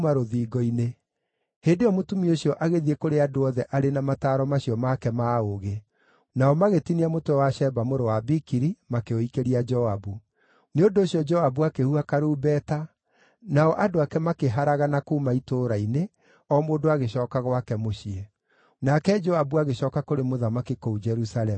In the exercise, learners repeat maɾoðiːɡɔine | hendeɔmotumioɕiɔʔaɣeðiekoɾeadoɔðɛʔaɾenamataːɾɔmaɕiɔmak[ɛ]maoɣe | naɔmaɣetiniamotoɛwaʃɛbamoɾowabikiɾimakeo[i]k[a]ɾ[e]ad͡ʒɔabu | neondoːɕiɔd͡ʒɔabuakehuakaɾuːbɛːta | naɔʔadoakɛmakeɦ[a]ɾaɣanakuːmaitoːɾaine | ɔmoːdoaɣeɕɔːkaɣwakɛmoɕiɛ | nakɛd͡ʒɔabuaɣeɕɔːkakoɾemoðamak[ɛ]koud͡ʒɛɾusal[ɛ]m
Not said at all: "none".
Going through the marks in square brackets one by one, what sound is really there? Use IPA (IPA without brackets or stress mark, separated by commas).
ɛ, i, e, i, a, i, ɛ